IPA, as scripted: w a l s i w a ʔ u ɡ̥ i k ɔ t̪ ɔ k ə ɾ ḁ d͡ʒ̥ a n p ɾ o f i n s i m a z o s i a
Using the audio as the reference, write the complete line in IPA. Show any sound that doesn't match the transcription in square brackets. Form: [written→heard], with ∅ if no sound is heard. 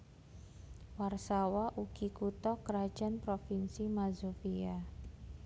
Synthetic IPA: w a [l→r] s [i→a] w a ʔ u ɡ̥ i k [ɔ→u] t̪ ɔ k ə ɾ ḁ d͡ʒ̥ a n p ɾ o f i n s i m a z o [s→f] i a